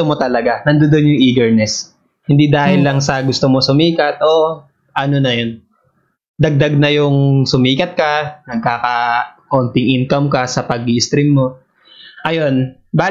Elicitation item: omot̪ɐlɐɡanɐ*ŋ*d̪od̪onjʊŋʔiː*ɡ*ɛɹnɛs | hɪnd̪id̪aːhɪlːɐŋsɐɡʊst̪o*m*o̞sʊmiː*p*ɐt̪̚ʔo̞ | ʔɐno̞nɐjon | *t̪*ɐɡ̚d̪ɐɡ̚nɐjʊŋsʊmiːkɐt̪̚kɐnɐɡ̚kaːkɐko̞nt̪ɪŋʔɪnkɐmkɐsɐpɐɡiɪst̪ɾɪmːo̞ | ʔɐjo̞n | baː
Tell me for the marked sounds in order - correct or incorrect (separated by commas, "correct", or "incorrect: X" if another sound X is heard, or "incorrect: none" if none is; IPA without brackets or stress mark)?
incorrect: n, correct, correct, incorrect: k, incorrect: d̪